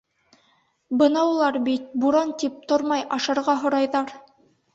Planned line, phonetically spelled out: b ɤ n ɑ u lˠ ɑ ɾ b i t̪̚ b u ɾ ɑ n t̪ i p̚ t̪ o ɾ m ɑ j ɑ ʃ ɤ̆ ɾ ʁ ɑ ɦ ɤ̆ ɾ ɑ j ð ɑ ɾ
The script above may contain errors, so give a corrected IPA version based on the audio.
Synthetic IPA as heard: b ɤ n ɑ u lˠ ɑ ɾ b i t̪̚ b u ɾ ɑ n t̪ i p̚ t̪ o ɾ m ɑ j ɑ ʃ ɤ̆ ɾ ʁ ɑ ɦ ŏ ɾ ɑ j ð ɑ ɾ